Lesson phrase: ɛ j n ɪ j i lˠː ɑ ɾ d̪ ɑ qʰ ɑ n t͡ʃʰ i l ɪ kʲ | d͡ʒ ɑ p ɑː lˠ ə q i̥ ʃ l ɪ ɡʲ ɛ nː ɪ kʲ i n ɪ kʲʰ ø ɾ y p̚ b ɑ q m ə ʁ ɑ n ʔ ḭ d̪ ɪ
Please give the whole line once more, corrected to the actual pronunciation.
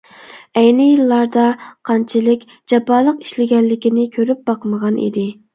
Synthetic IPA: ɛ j n ɪ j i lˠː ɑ ɾ d̪ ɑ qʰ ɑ n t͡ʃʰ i l ɪ kʲ | d͡ʒ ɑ p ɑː lˠ ə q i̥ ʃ l ɪ ɡʲ ɛ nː ɪ kʲ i n ɪ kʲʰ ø ɾ y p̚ b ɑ q m ə ʁ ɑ n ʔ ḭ d̪ ɪ